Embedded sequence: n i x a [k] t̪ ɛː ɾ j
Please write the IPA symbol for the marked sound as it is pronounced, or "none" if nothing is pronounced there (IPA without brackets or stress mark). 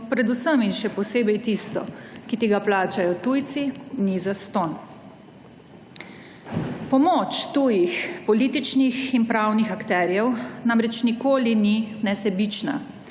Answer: k